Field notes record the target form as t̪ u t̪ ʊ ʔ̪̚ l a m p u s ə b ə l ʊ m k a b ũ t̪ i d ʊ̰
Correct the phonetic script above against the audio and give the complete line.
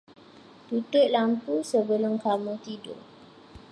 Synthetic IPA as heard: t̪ u t̪ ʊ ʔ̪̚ l a m p u s ə b ə l ʊ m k a m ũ t̪ i d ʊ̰